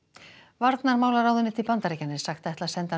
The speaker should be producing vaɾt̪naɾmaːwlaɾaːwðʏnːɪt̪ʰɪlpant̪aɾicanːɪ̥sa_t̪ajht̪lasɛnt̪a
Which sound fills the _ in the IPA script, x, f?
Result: x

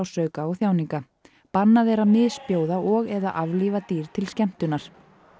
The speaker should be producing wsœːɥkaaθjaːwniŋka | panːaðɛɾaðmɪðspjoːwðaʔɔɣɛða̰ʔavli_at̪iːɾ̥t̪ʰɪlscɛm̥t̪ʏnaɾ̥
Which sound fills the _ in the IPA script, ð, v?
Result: v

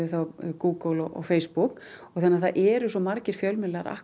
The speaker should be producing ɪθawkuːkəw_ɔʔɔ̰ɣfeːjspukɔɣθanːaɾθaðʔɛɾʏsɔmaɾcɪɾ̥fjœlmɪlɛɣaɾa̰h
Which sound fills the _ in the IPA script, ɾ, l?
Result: l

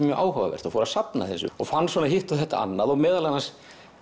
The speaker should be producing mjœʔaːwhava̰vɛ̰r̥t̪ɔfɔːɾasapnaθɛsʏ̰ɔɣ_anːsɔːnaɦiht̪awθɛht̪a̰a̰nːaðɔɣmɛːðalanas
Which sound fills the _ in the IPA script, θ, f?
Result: f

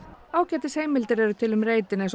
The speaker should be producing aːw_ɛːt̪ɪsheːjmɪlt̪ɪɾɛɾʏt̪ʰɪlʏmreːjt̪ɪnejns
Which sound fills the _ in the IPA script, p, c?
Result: c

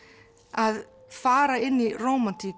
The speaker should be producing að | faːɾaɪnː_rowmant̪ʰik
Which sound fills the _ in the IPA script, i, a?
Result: i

